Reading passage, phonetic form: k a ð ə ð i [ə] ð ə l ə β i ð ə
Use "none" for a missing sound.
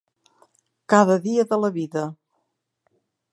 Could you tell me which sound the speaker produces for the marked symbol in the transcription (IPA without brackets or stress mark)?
ə